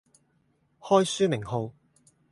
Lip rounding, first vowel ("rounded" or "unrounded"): rounded